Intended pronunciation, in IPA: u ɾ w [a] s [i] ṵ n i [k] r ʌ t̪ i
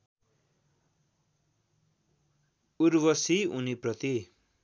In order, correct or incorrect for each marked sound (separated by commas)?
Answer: incorrect, correct, incorrect